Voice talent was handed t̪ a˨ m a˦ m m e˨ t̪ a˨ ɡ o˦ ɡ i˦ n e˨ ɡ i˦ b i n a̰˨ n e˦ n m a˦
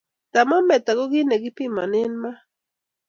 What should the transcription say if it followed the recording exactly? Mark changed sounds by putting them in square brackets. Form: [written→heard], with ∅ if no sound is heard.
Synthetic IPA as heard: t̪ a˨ m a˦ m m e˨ t̪ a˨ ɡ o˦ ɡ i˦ n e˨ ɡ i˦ [b→p] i [n→m] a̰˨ n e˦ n m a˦